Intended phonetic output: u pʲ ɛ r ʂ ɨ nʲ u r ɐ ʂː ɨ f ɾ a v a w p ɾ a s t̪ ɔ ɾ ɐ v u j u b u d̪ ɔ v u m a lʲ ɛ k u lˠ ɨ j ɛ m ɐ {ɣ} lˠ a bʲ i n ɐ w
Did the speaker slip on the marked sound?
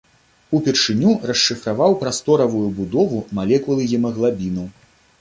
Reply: no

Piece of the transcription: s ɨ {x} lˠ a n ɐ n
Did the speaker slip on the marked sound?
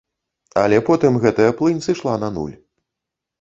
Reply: yes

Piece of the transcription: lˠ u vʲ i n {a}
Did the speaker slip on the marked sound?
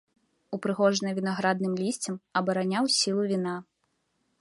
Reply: no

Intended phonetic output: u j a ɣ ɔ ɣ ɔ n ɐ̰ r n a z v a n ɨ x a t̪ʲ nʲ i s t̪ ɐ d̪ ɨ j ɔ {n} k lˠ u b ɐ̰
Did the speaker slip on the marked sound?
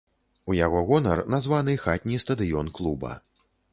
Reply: no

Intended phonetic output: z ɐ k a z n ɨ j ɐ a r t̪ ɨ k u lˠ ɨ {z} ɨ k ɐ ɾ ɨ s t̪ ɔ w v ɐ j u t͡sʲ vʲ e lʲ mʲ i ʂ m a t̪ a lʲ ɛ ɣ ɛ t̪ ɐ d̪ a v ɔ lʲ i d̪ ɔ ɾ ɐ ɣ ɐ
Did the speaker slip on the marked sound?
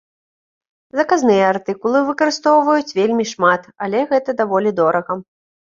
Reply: yes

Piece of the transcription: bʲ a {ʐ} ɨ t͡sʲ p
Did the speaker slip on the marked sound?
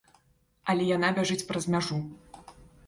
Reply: no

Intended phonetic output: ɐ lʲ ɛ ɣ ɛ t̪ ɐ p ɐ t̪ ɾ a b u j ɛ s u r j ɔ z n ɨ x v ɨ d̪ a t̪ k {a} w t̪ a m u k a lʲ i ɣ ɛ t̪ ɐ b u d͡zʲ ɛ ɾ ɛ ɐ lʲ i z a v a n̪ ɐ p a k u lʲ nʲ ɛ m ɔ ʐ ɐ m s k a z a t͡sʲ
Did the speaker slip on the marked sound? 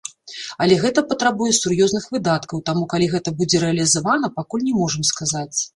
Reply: yes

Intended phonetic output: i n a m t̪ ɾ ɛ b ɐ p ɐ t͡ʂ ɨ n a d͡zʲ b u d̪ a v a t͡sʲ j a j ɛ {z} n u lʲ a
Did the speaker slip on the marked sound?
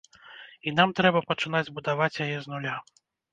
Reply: no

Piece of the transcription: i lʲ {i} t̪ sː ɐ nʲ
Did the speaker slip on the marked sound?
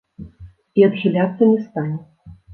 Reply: yes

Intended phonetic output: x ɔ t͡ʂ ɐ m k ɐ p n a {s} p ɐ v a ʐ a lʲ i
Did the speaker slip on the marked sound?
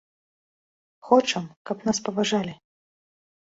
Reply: no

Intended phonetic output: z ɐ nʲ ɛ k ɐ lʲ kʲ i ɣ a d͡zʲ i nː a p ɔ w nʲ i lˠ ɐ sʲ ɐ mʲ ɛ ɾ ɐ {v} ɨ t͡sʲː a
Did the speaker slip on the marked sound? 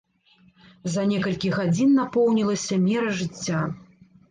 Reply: yes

